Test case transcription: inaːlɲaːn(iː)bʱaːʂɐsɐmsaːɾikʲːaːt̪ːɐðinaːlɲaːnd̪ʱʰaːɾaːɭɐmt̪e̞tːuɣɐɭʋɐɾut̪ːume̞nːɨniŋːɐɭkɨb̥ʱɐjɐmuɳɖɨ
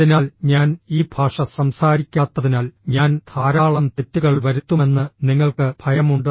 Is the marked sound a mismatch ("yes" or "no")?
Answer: no